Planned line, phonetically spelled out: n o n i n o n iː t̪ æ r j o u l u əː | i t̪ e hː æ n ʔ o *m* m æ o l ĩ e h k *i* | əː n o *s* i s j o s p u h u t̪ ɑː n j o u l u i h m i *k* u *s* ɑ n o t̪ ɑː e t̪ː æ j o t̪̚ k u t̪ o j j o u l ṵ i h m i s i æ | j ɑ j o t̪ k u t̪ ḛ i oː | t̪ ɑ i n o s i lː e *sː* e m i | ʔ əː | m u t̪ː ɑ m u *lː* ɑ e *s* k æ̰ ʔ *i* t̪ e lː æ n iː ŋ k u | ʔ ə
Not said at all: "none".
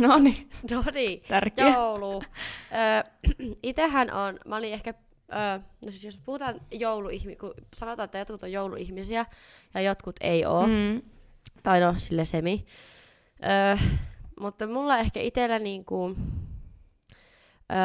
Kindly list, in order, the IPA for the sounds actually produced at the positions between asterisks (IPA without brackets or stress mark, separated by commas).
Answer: n, æ, s, k, s, s, lː, h, i